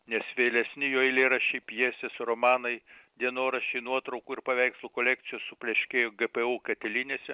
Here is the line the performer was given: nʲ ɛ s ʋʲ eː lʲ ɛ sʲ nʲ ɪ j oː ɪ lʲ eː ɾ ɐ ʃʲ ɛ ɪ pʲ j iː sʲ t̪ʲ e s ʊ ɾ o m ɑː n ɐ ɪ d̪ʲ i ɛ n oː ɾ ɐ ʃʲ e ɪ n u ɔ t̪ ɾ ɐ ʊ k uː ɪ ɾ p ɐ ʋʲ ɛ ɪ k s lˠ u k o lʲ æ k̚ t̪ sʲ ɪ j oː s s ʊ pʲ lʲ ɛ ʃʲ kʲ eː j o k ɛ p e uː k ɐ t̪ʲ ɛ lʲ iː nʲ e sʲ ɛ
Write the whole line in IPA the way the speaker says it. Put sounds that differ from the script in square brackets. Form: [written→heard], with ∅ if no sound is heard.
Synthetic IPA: nʲ ɛ s ʋʲ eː lʲ ɛ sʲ nʲ ɪ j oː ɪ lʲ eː ɾ ɐ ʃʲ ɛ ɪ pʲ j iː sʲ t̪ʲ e s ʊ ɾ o m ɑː n ɐ ɪ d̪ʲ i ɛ n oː ɾ ɐ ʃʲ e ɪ n u ɔ t̪ ɾ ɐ ʊ k uː ɪ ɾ p ɐ ʋʲ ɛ ɪ k s lˠ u k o lʲ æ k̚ t̪ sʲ ɪ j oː s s ʊ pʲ lʲ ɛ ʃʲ kʲ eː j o [k→ɡ] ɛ p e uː k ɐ t̪ʲ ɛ lʲ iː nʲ e sʲ ɛ